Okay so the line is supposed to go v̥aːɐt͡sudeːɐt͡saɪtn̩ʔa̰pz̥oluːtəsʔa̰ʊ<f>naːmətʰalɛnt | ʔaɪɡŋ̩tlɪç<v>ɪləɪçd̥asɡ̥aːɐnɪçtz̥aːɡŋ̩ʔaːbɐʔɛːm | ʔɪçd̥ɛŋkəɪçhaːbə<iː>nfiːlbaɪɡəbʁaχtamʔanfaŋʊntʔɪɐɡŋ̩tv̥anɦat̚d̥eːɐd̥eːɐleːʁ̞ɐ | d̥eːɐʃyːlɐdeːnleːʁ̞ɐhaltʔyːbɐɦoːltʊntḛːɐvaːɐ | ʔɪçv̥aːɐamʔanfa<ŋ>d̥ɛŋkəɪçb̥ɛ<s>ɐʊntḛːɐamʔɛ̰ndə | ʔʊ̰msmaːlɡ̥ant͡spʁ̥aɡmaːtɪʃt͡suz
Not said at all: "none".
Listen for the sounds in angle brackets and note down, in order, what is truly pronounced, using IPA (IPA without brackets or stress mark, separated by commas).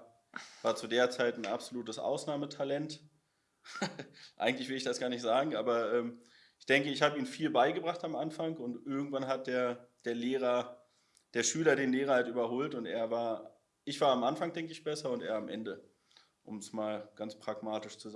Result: s, v, iː, ŋ, s